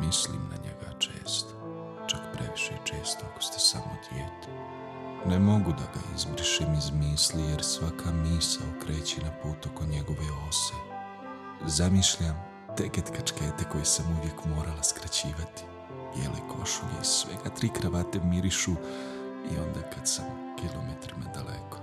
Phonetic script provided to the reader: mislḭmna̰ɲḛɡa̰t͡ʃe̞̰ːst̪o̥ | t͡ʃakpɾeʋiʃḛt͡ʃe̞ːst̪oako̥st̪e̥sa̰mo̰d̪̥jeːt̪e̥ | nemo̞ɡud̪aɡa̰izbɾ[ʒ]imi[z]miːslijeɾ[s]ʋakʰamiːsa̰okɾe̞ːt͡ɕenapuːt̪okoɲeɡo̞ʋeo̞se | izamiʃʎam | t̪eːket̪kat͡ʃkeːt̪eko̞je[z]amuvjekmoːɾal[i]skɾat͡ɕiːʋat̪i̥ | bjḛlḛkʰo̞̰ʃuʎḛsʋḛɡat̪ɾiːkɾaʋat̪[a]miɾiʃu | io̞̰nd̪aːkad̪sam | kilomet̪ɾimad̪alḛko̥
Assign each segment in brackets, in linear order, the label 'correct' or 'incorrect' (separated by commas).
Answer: incorrect, correct, correct, incorrect, incorrect, incorrect